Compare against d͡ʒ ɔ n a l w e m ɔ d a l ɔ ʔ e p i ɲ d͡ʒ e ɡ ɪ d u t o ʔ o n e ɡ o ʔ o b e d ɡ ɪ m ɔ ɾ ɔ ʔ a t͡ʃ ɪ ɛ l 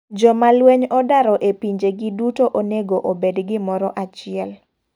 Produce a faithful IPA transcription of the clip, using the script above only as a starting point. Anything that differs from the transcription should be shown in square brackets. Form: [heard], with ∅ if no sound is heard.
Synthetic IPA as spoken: d͡ʒ ɔ [m] a l w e [ɲ] ɔ d a [ɾ] ɔ ʔ e p i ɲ d͡ʒ e ɡ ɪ d u t o ʔ o n e ɡ o ʔ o b e d ɡ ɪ m ɔ ɾ ɔ ʔ a t͡ʃ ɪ ɛ l